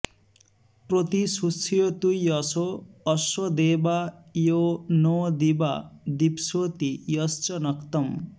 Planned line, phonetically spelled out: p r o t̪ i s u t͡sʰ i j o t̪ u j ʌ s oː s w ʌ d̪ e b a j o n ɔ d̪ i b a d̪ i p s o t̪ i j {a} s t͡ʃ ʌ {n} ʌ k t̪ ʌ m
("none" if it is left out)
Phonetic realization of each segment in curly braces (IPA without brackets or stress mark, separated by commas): ʌ, n